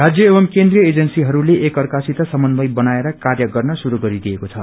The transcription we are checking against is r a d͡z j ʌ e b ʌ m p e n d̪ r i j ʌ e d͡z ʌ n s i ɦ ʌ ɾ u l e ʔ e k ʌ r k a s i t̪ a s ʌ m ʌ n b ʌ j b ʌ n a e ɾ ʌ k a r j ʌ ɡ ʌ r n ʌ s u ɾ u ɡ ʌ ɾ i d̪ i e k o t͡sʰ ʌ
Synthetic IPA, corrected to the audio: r a d͡z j ʌ e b ʌ m k e n d̪ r i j ʌ e d͡z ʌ n s i ɦ ʌ ɾ u l e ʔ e k ʌ r k a s i t̪ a s ʌ m ʌ n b ʌ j b ʌ n a e ɾ ʌ k a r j ʌ ɡ ʌ r n ʌ s u ɾ u ɡ ʌ ɾ i d̪ i e k o t͡sʰ ʌ